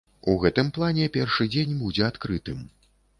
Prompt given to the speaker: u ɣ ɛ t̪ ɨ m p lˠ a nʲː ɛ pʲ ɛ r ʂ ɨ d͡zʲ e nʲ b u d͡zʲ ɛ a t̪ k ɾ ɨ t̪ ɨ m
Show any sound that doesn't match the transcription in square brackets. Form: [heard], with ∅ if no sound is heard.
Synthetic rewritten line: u ɣ ɛ t̪ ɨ m p lˠ a [nʲ] ɛ pʲ ɛ r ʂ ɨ d͡zʲ e nʲ b u d͡zʲ ɛ a t̪ k ɾ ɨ t̪ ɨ m